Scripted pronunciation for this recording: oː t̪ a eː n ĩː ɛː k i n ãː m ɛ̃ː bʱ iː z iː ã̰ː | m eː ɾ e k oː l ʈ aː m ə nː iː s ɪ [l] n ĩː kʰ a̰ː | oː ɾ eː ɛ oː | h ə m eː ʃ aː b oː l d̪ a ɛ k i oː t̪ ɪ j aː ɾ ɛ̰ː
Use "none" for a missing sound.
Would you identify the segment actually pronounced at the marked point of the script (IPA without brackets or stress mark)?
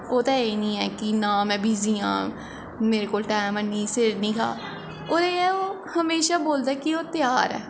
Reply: ɾ